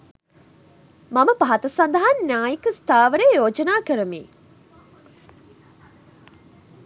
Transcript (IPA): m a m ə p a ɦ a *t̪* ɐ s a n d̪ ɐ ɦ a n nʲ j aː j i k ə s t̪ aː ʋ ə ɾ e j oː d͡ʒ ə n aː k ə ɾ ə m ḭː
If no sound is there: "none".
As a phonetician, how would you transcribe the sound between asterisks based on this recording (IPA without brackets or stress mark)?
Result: t̪